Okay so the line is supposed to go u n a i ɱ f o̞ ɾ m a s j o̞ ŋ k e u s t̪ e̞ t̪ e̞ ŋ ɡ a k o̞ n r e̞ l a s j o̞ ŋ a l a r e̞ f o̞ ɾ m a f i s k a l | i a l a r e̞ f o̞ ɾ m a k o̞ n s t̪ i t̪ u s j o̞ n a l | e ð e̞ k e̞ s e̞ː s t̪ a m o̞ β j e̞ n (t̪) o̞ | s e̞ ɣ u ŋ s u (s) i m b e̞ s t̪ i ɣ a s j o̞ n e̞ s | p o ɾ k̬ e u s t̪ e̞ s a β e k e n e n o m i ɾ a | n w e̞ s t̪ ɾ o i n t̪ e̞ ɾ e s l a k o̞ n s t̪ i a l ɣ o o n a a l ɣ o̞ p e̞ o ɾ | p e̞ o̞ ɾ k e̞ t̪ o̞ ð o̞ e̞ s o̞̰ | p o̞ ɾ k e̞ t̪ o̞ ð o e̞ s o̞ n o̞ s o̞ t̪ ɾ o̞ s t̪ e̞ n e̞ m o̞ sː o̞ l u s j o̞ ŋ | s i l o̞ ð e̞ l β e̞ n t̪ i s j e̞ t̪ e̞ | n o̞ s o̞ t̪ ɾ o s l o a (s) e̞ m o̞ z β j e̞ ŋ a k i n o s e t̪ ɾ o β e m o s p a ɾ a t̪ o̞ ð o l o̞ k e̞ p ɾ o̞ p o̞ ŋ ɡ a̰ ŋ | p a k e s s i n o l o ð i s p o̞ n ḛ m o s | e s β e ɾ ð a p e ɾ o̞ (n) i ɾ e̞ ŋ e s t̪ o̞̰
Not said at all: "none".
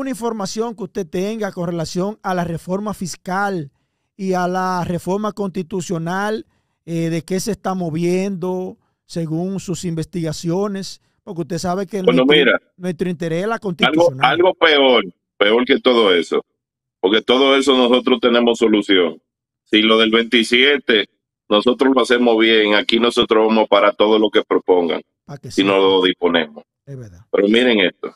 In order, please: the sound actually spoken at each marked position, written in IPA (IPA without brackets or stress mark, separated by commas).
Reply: d̪, s, s, m